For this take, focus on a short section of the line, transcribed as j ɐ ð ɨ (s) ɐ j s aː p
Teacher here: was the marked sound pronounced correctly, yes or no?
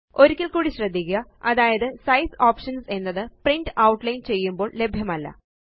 yes